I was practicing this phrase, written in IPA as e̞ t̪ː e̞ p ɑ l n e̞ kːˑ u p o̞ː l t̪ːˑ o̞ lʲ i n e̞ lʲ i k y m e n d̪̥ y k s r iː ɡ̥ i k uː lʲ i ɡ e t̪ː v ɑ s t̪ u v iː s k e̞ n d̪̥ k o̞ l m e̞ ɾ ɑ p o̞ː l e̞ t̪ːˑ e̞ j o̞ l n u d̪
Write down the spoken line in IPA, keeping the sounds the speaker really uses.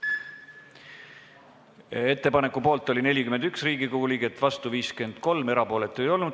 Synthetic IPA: e̞ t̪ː e̞ p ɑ n e̞ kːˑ u p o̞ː l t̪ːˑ o̞ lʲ i n e̞ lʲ i k y m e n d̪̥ y k s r iː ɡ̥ i k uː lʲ i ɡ e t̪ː v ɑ s t̪ u v iː s k e̞ n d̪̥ k o̞ l m e̞ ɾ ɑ p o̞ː l e̞ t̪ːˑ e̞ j o̞ l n u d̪